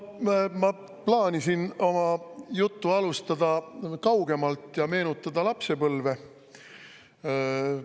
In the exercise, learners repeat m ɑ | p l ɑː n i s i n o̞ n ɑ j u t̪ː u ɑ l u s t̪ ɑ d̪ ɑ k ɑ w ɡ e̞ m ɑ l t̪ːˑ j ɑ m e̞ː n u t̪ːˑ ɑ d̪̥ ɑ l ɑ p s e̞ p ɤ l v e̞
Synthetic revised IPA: m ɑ | p l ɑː n i s i n o̞ m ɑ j u t̪ː u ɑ l u s t̪ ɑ d̪ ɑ k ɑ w ɡ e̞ m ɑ l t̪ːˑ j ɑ m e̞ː n u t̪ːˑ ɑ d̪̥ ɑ l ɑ p s e̞ p ɤ l v e̞